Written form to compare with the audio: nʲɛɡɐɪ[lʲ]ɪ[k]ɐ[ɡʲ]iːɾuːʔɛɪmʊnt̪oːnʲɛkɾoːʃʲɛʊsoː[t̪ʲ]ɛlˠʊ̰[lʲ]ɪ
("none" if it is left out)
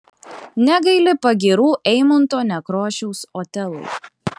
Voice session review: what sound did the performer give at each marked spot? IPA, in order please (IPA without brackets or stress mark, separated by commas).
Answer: lʲ, p, ɡʲ, t̪ʲ, none